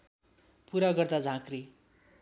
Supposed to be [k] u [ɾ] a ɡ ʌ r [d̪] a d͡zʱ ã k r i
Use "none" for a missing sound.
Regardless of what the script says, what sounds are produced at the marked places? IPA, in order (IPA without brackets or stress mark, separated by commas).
p, ɾ, d̪